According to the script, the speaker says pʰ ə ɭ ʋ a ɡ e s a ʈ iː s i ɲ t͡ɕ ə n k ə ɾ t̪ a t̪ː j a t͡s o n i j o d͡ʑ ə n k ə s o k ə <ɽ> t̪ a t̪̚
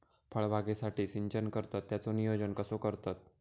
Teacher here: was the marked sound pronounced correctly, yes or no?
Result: no